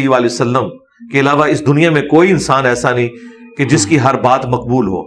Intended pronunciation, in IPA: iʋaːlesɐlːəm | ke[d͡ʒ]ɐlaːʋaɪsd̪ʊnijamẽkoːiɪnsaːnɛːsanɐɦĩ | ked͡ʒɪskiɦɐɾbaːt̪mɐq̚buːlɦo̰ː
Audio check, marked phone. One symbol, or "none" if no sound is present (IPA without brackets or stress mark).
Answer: none